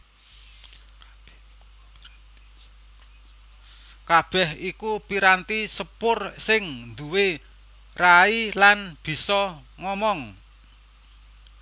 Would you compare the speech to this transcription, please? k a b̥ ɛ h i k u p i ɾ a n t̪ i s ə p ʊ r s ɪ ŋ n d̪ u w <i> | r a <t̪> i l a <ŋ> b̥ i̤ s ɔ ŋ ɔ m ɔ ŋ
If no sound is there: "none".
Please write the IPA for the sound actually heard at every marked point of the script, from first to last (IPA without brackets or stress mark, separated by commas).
e, none, n